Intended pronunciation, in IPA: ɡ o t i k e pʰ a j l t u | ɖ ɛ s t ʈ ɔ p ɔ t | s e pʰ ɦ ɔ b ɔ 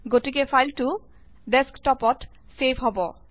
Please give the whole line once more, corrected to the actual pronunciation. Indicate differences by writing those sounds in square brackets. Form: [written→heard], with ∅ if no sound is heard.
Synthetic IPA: ɡ o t i k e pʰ a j l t u | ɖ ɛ s [t→k] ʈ ɔ p ɔ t | s e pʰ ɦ ɔ b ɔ